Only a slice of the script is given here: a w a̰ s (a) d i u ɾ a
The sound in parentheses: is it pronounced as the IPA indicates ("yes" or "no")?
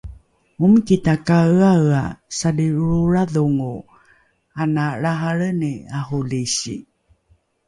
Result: yes